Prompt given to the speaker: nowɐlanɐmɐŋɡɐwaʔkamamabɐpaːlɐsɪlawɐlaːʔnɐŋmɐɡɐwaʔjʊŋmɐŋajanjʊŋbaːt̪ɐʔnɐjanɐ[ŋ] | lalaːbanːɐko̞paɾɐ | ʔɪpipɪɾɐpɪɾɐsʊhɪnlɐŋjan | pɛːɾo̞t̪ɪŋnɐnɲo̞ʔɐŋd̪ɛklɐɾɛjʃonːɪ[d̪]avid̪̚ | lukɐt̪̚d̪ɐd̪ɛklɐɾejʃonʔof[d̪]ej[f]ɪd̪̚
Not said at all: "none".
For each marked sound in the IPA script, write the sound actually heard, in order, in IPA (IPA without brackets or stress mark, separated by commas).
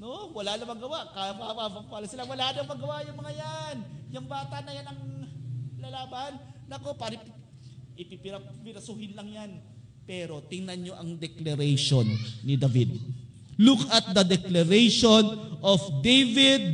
ŋ, d̪, d̪, v